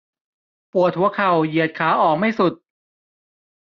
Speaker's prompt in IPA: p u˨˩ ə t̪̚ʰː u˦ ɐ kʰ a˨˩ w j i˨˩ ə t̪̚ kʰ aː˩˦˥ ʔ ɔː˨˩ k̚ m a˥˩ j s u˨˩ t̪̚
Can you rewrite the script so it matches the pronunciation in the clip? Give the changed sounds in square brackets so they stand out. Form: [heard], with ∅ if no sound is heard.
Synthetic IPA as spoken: p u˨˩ ə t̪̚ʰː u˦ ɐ kʰ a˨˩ w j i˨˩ ə t̪̚ kʰ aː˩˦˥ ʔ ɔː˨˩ k̚ m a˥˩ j s u˨˩ t̪̚